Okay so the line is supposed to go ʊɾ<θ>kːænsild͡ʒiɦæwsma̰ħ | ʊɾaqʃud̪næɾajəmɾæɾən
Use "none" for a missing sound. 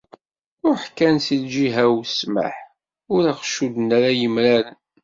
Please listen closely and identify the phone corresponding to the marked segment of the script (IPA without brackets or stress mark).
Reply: ħ